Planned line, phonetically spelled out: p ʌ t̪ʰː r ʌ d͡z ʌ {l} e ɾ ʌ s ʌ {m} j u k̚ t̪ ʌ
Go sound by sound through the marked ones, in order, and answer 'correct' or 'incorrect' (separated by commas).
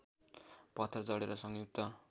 incorrect, incorrect